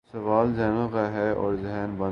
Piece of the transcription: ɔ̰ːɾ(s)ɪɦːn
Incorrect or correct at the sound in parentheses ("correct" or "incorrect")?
incorrect